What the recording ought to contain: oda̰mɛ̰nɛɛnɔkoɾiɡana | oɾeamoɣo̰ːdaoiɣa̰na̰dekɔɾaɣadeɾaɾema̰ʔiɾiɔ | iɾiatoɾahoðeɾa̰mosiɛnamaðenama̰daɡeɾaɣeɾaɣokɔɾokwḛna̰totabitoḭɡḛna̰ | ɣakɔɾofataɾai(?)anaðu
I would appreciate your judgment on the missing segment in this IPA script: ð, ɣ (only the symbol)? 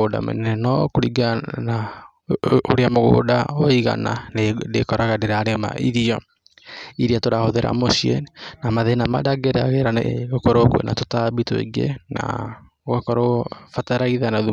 ð